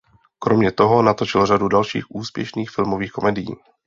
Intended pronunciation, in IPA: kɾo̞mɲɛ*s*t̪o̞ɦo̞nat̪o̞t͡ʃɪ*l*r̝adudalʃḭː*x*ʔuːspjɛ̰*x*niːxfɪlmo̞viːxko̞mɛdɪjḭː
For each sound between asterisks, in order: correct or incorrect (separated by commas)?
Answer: incorrect, correct, correct, incorrect